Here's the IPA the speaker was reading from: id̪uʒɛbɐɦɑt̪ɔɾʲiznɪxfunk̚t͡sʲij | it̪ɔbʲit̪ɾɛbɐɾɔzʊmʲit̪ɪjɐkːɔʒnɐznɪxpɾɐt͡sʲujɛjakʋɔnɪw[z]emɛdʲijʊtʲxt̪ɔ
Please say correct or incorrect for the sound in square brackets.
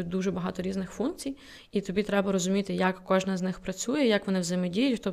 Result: correct